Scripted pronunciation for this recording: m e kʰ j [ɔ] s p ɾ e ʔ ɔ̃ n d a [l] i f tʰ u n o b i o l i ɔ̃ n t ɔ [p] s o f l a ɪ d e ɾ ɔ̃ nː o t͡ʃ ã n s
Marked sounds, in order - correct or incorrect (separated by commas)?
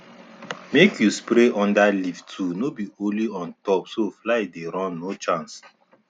incorrect, correct, correct